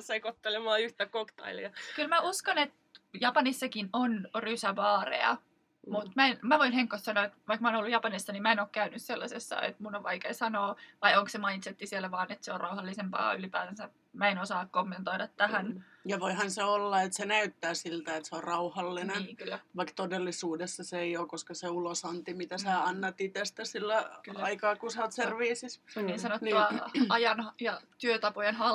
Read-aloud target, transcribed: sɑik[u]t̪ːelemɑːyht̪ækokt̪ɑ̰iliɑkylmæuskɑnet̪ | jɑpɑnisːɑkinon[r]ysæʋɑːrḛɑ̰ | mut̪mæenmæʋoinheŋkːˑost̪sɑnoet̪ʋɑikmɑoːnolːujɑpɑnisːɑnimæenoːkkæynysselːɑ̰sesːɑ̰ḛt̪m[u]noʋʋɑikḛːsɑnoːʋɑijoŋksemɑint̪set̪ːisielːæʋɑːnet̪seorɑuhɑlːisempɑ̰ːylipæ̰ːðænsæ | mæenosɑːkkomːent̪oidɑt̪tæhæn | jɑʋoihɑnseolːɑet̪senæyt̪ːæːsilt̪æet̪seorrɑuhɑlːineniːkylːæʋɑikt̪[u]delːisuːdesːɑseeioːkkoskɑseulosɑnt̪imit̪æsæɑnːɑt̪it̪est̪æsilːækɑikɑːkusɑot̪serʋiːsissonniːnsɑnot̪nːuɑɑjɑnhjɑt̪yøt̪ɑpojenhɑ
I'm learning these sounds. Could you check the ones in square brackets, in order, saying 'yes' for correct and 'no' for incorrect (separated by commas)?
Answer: no, yes, yes, no